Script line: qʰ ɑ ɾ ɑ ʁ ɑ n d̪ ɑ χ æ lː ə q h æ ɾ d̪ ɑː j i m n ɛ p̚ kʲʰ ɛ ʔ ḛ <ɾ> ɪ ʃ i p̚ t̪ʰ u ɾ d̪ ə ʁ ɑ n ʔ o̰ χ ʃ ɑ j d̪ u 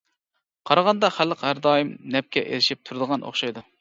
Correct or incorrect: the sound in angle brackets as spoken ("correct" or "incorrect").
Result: incorrect